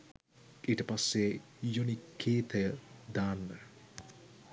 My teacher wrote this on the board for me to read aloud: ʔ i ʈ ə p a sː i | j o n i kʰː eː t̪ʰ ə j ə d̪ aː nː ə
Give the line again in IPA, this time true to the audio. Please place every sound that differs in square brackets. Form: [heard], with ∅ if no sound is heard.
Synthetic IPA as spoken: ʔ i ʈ ə p a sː [e] | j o n i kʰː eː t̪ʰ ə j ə d̪ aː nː ə